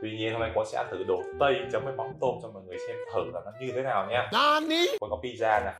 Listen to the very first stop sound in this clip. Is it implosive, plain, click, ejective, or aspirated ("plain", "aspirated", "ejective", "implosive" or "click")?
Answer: plain